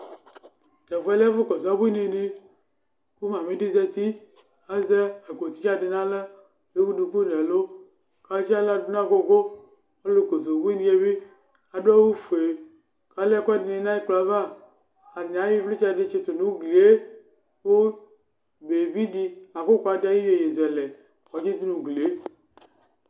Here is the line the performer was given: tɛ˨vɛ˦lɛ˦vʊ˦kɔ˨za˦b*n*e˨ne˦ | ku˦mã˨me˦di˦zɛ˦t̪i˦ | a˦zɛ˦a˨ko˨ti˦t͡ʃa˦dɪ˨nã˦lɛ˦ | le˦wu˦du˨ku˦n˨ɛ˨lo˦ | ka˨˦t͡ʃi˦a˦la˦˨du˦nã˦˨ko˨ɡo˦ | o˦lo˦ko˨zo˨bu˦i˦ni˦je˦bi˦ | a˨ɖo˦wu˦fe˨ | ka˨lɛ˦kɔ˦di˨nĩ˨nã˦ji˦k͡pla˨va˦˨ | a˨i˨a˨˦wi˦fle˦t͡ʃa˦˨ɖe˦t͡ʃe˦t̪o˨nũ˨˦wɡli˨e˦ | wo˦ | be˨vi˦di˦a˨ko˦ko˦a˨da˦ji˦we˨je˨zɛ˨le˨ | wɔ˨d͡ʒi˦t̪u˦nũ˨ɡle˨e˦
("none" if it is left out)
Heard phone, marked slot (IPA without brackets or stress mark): n